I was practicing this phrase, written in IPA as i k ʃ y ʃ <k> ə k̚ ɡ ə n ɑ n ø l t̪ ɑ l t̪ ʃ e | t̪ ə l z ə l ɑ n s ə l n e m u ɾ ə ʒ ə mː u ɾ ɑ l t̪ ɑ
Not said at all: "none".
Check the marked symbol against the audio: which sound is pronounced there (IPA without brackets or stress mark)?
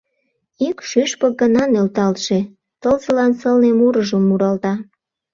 p